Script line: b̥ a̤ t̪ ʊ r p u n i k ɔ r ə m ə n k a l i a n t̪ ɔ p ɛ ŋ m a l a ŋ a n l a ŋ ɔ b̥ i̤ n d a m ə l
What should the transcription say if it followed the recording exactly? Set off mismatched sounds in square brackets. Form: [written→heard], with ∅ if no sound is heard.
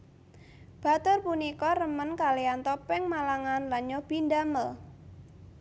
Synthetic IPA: b̥ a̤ t̪ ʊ r p u n i k ɔ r ə m ə n k a l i a n t̪ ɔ p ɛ ŋ m a l a ŋ a n l a [ŋ→ɲ] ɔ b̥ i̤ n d a m ə l